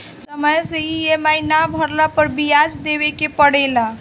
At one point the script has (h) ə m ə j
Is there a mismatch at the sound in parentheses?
yes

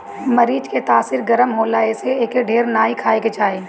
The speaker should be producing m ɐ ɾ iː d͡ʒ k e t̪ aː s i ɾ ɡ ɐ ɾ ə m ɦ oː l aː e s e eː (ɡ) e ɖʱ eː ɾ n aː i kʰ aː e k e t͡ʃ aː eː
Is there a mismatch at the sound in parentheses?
yes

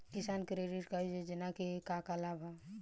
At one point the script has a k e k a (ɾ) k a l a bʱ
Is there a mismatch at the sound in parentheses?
yes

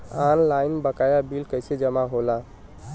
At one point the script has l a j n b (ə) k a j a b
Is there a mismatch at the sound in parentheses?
no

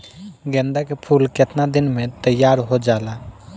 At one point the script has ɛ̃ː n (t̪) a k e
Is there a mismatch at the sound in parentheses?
yes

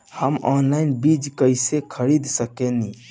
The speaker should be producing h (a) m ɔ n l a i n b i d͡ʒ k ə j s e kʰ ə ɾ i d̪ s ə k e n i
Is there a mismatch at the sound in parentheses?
yes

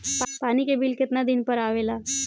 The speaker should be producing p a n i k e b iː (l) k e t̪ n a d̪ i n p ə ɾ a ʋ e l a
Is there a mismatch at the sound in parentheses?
no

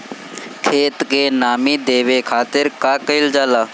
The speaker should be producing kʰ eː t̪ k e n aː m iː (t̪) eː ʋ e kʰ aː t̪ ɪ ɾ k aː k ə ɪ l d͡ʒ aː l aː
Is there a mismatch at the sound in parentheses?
yes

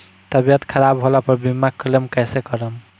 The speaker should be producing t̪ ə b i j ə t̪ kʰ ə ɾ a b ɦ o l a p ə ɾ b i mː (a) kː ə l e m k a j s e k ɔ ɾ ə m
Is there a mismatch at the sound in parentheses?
no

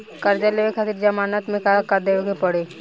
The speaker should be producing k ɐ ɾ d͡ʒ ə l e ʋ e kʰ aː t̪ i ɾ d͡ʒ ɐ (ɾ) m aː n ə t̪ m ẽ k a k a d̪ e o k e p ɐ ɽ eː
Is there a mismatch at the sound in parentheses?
yes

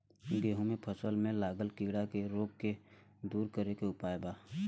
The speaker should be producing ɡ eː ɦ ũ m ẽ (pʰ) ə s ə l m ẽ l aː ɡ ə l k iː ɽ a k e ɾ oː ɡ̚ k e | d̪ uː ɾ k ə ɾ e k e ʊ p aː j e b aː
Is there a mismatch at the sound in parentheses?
no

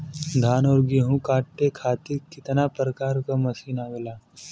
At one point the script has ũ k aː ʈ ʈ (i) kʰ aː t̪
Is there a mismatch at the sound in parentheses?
yes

